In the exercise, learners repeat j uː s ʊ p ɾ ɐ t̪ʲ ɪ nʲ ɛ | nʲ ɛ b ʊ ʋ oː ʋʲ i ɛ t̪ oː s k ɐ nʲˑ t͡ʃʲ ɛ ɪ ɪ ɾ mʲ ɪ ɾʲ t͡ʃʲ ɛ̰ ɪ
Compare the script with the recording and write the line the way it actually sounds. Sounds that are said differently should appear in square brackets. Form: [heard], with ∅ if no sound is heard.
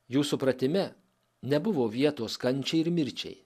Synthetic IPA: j uː s ʊ p ɾ ɐ t̪ʲ ɪ [mʲ] ɛ | nʲ ɛ b ʊ ʋ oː ʋʲ i ɛ t̪ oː s k ɐ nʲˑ t͡ʃʲ ɛ ɪ ɪ ɾ mʲ ɪ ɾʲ t͡ʃʲ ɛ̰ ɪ